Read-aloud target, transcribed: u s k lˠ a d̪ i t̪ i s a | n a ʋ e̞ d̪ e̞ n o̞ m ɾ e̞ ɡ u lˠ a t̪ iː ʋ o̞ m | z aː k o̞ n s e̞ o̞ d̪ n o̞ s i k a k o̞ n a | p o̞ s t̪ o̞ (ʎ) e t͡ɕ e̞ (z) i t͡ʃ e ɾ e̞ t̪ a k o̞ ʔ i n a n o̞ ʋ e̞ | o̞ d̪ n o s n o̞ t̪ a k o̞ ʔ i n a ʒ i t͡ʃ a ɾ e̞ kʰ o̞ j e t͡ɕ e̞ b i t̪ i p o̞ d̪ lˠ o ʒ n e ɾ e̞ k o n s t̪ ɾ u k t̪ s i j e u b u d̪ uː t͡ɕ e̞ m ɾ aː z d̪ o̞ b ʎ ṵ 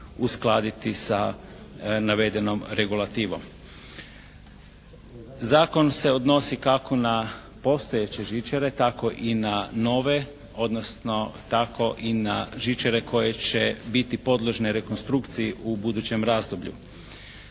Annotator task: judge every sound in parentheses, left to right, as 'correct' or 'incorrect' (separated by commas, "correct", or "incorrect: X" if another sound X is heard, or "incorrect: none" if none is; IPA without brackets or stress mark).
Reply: incorrect: j, incorrect: ʒ